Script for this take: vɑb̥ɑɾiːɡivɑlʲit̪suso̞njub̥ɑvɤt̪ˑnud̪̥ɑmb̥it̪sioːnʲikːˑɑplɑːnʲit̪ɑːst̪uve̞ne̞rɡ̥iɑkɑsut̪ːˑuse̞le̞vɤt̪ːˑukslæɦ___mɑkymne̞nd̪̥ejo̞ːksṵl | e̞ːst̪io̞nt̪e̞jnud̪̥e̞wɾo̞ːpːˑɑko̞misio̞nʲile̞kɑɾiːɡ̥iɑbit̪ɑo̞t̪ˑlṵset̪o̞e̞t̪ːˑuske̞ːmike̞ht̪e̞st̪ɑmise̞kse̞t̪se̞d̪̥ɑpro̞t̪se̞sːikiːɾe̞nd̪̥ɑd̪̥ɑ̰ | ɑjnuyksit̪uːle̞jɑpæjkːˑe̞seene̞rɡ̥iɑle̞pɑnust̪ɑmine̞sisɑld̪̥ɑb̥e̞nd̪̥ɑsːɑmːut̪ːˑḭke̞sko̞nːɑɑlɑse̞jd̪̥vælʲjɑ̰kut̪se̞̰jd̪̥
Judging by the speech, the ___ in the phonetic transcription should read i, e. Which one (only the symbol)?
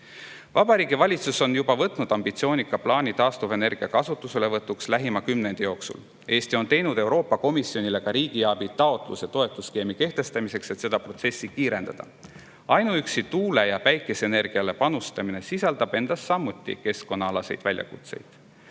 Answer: i